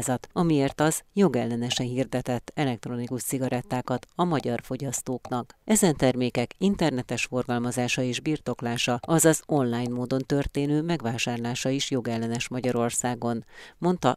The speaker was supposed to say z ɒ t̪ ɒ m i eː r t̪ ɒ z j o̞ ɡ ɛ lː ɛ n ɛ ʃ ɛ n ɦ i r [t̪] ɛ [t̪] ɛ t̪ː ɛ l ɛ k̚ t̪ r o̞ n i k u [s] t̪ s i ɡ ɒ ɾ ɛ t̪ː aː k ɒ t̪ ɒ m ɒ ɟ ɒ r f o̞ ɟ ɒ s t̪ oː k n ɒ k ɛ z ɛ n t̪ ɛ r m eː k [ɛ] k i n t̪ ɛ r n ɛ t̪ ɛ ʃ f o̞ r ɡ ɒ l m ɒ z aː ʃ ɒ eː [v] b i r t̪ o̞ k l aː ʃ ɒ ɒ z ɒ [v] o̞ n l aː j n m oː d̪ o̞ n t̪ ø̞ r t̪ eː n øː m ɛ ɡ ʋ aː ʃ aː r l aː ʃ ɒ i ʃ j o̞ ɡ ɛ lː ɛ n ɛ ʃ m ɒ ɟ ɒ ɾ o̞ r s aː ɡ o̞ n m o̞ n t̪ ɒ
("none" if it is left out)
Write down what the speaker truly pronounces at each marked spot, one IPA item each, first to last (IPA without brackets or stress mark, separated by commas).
d̪, t̪, ʃ, ɛ, ʒ, z